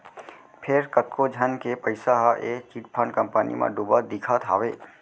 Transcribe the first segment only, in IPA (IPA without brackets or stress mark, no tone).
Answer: pʰ